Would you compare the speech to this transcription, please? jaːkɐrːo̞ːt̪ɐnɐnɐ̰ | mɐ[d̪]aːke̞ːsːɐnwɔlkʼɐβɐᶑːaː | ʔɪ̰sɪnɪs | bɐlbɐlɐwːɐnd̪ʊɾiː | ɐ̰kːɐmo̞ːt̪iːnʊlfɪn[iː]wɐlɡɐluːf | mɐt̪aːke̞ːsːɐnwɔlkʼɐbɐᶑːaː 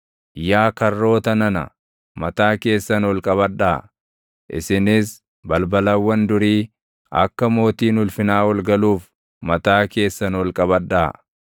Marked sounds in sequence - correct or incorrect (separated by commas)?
incorrect, incorrect